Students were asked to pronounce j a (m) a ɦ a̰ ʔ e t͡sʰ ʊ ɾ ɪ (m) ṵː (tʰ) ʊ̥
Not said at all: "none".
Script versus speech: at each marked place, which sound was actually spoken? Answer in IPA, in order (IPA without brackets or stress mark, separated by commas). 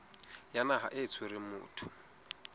n, m, tʰ